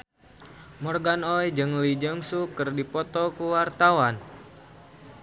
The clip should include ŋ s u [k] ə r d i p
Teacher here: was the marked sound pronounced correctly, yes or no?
yes